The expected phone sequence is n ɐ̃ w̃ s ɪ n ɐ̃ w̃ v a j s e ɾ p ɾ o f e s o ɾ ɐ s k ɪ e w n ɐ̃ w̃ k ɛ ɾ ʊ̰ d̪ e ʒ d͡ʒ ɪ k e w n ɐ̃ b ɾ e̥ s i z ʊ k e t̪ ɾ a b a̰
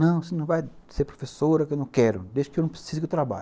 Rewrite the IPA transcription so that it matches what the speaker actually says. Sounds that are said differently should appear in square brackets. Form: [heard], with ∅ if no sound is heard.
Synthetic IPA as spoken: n ɐ̃ w̃ s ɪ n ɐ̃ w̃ v a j s e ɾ p ɾ o f e s o ɾ ɐ [∅] k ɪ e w n ɐ̃ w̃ k ɛ ɾ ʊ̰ d̪ e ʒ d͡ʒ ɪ k e w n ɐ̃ [p] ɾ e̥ s i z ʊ k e t̪ ɾ a b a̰